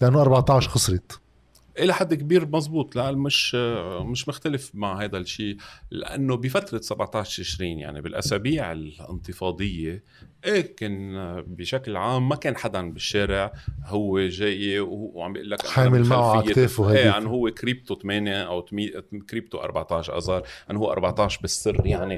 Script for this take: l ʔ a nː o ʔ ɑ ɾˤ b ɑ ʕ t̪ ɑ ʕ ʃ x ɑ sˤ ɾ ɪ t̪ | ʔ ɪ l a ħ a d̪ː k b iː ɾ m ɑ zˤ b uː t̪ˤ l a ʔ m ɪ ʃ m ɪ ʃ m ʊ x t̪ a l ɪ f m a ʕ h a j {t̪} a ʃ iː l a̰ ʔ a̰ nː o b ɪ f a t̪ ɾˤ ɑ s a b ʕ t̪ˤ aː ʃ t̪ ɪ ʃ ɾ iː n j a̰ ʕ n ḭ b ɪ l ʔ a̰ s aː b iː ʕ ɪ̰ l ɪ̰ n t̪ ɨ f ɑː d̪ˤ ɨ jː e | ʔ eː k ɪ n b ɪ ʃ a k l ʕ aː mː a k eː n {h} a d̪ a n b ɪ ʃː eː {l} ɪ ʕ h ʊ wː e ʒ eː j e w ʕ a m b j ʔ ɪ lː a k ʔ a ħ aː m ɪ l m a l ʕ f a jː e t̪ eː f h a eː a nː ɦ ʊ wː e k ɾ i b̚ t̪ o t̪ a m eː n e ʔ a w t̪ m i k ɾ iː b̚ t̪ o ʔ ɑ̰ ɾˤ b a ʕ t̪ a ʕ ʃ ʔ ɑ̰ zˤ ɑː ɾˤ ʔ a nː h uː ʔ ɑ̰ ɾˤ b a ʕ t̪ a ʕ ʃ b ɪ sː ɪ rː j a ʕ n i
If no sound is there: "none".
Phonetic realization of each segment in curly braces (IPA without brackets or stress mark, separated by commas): d̪, ħ, ɾ